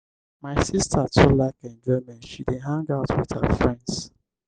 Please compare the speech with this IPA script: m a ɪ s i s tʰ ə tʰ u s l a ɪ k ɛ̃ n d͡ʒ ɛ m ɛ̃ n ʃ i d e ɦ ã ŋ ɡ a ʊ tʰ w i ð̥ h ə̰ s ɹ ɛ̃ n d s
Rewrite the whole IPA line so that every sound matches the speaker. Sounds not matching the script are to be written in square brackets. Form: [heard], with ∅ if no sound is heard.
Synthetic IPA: m a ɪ s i s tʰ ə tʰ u [∅] l a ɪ k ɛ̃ n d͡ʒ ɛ m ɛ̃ n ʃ i d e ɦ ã ŋ ɡ a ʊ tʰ w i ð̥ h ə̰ [f] ɹ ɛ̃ n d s